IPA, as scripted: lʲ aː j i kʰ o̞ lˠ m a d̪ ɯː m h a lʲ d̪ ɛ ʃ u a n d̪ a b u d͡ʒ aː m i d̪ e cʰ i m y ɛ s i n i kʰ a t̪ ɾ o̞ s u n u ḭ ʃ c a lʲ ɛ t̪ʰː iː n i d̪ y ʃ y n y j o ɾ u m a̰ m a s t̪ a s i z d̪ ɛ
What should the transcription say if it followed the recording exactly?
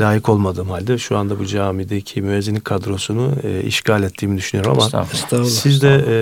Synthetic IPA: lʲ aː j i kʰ o̞ lˠ m a d̪ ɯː m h a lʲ d̪ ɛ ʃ u a n d̪ a b u d͡ʒ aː m i d̪ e cʰ i m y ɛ z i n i kʰ a d̪ ɾ o̞ s u n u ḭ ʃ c a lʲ ɛ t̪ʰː iː m i d̪ y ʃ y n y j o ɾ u m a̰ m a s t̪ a s i z d̪ ɛ